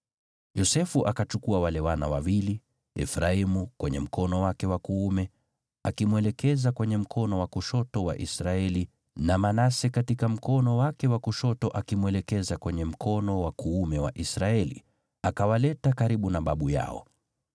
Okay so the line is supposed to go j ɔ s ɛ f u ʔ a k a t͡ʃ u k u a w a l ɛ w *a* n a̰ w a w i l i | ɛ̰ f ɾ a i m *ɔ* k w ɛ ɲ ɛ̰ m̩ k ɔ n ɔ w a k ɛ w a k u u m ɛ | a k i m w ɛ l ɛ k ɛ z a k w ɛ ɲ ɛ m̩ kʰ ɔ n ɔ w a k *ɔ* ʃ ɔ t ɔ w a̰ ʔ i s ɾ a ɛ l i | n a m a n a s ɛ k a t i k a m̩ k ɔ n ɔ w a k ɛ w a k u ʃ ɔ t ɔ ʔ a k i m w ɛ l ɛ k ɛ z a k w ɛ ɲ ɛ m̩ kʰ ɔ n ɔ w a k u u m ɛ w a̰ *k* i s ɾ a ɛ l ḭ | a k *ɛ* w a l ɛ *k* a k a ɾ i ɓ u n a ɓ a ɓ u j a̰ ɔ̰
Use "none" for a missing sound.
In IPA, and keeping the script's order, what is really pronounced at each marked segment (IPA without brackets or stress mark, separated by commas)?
a, u, u, ʔ, a, t